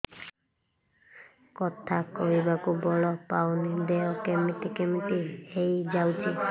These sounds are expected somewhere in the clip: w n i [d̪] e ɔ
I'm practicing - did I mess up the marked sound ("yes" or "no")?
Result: no